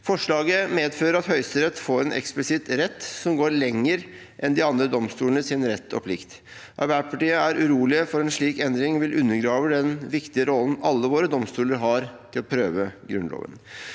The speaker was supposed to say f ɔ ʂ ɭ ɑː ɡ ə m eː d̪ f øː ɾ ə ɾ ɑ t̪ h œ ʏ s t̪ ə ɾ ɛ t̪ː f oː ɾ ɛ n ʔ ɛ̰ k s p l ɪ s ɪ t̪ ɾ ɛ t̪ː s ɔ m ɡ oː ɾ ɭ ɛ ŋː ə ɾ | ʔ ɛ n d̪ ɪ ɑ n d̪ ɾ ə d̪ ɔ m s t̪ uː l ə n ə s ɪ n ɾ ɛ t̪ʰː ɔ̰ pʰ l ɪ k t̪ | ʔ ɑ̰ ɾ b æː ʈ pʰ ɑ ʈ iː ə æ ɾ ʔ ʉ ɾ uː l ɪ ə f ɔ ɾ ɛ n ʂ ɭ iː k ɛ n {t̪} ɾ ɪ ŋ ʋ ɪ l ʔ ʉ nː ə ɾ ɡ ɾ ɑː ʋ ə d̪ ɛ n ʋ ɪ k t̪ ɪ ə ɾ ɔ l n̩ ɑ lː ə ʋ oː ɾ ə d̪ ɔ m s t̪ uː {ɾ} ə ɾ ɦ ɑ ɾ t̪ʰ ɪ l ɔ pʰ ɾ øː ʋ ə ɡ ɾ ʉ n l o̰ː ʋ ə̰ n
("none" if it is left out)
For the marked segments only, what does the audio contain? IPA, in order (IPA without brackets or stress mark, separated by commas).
d̪, l